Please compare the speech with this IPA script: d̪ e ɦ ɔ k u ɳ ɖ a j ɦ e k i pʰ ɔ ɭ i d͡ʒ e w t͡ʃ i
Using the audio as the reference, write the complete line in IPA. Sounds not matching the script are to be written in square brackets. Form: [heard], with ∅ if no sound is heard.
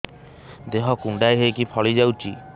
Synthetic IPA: d̪ e ɦ ɔ k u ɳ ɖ a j ɦ e k i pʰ ɔ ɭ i d͡ʒ [a] w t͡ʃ i